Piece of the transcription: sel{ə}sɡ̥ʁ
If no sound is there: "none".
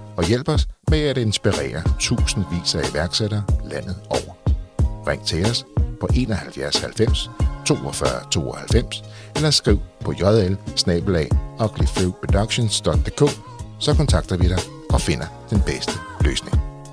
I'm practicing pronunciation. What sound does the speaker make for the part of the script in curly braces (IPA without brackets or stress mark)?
ɐ